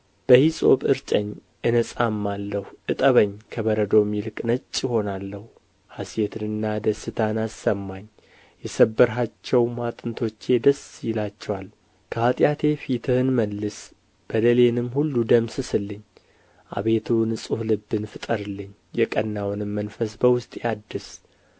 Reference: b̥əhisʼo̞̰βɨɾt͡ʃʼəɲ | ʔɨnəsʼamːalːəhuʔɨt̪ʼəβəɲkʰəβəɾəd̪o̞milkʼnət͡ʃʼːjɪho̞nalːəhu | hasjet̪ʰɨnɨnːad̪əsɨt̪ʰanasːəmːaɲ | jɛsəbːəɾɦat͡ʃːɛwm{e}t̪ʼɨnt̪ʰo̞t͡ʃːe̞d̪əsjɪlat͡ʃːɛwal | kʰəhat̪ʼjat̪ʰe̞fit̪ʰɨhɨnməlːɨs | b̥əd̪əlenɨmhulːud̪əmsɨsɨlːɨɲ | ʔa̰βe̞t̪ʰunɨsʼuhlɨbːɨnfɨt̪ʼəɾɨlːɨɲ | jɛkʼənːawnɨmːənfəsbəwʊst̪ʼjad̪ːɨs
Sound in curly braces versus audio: incorrect: a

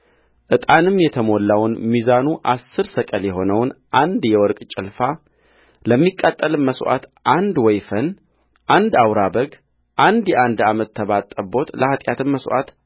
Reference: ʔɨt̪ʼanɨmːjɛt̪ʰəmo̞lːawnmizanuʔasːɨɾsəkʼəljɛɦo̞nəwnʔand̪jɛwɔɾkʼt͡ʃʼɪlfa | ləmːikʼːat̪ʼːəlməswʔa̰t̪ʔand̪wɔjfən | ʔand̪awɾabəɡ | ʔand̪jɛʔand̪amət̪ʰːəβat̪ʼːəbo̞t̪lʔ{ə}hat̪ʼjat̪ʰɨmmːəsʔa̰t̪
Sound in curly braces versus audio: correct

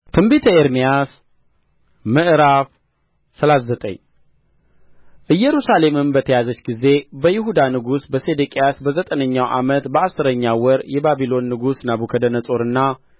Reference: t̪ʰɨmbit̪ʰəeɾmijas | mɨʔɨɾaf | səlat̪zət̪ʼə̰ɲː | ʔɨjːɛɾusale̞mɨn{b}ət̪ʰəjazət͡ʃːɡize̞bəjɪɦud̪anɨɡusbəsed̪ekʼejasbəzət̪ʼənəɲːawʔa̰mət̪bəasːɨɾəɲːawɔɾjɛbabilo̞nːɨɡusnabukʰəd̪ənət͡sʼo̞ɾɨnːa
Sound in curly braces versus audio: correct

